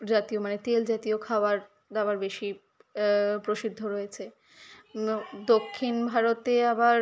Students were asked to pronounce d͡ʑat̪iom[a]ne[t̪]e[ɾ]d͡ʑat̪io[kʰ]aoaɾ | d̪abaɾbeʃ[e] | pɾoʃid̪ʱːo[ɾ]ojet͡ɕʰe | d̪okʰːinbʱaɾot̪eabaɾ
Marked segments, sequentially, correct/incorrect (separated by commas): correct, correct, incorrect, correct, incorrect, correct